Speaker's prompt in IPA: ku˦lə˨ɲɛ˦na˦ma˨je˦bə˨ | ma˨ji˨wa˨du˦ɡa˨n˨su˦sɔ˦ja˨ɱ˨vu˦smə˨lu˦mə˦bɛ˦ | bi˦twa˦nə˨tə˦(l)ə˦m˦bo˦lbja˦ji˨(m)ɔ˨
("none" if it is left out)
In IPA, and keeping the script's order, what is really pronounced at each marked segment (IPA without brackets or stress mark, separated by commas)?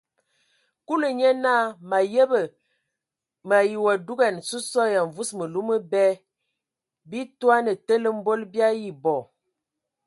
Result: l, b